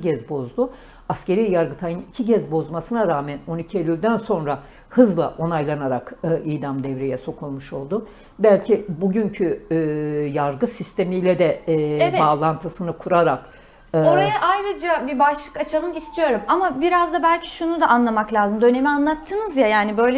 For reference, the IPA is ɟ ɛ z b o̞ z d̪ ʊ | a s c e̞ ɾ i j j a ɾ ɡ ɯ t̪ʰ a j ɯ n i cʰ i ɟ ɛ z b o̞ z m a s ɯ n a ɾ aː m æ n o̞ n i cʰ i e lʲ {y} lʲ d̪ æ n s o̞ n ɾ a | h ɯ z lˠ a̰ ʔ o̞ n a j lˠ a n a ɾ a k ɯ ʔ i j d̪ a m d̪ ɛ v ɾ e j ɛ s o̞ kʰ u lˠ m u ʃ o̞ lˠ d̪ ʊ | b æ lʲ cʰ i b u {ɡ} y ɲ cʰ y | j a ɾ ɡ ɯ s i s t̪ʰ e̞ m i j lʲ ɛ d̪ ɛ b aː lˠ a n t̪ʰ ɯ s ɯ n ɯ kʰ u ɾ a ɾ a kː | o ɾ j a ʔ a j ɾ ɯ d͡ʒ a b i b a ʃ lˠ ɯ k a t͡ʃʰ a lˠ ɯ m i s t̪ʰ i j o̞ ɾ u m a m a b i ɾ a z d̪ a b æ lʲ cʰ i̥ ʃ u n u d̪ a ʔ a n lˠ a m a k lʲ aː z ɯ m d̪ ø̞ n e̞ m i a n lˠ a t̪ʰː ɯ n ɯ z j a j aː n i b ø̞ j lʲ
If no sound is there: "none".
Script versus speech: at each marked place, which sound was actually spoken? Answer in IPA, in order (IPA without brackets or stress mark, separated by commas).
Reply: y, ɟ